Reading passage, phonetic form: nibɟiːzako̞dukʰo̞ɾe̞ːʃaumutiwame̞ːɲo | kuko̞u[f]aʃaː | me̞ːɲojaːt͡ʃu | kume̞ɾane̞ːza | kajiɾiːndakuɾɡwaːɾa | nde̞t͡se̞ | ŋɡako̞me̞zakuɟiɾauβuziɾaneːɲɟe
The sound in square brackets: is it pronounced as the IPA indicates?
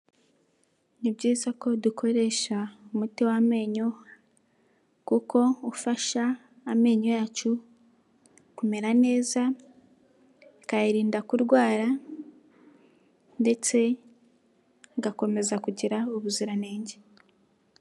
yes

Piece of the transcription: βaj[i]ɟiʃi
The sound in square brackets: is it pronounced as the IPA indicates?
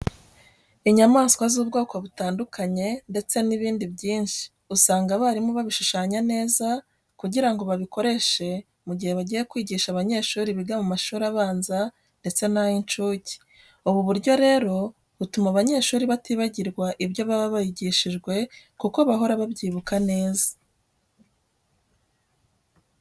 yes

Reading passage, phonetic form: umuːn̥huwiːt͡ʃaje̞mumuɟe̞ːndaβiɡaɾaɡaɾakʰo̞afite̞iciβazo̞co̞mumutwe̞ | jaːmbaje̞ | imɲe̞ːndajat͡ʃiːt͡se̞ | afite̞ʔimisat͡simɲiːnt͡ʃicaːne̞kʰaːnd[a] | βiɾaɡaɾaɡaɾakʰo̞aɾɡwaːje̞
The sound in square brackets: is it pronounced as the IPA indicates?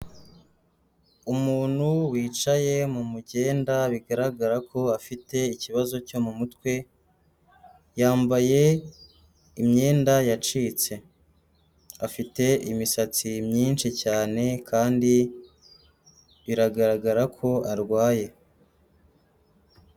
no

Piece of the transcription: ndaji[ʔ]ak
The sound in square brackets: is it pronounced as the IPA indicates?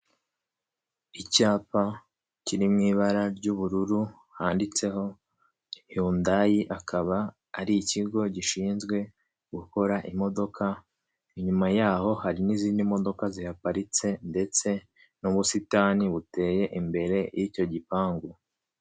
yes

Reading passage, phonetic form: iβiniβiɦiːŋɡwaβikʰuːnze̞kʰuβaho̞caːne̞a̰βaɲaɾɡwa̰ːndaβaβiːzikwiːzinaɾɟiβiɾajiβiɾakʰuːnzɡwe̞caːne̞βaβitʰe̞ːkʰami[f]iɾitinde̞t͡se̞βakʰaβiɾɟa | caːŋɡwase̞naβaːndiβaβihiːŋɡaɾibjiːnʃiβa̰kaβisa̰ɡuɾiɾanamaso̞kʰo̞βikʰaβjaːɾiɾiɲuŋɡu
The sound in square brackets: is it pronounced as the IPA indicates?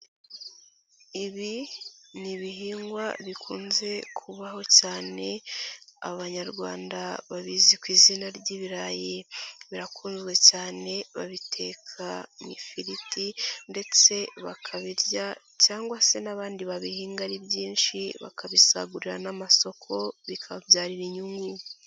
yes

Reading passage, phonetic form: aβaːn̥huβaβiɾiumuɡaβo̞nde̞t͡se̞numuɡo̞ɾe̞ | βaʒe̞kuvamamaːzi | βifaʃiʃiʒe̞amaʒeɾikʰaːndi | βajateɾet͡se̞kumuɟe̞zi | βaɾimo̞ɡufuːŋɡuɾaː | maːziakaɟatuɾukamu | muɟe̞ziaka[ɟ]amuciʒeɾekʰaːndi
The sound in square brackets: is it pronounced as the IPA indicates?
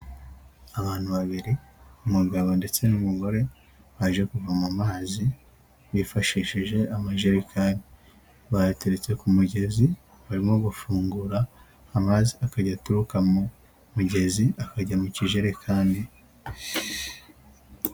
yes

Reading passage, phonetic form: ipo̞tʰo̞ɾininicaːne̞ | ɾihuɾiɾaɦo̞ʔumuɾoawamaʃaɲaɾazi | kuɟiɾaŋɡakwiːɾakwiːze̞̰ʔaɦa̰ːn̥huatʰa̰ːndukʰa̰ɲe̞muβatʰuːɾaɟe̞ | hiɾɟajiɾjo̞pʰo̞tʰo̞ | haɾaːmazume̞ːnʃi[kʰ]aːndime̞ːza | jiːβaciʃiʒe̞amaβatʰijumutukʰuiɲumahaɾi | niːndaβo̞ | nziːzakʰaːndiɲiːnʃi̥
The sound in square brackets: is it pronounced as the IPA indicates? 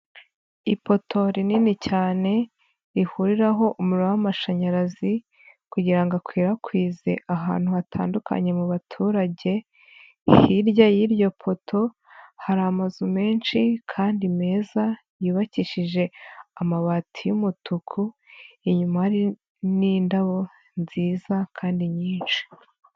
yes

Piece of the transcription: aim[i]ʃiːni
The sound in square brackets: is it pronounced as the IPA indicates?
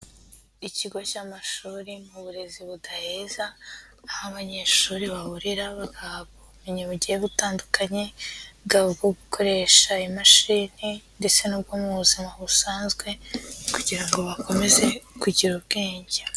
no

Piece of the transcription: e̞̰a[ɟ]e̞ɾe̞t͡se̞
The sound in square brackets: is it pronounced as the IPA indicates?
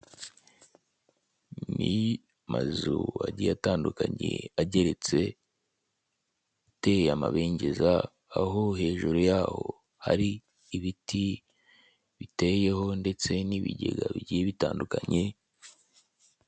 yes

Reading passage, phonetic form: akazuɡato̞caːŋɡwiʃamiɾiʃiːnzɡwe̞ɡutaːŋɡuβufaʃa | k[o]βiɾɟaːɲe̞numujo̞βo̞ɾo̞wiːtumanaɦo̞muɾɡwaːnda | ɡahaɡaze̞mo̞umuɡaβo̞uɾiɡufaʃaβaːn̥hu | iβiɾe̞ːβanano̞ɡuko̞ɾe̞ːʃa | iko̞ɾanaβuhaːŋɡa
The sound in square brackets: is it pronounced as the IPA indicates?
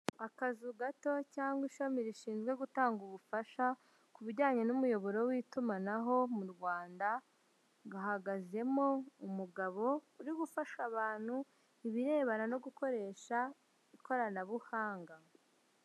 no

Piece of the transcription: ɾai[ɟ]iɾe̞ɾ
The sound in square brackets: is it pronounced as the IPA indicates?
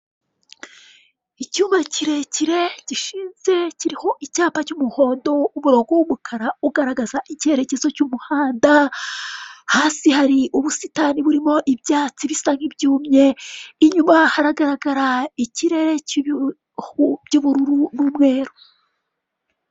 no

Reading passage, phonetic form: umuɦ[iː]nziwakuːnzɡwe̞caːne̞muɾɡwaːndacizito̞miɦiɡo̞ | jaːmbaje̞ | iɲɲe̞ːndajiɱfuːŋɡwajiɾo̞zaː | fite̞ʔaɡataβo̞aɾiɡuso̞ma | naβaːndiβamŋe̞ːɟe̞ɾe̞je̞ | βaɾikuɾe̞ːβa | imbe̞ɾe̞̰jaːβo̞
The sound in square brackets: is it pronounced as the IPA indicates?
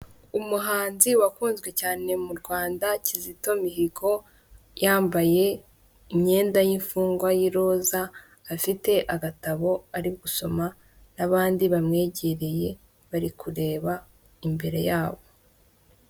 no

